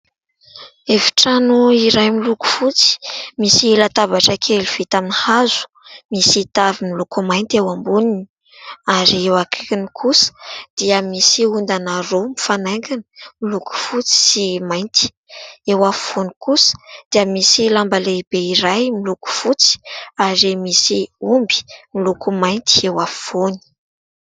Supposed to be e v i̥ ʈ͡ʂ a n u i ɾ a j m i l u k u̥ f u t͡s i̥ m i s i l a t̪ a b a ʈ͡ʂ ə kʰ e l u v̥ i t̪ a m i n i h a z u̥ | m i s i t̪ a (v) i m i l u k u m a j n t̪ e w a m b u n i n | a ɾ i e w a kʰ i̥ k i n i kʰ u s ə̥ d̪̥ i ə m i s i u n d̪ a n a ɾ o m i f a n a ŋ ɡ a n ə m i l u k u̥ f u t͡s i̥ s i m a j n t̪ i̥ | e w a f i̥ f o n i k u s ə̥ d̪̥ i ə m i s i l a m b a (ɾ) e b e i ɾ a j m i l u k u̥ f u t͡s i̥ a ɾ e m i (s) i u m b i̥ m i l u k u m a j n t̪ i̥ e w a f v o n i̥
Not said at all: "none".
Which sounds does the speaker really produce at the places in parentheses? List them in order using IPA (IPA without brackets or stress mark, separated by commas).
v, l, s